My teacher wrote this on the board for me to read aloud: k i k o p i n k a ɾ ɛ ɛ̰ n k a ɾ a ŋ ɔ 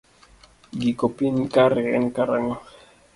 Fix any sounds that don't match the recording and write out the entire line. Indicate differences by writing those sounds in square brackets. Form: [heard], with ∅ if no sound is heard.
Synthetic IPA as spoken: [ɡ] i k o p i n k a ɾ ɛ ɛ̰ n k a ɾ a ŋ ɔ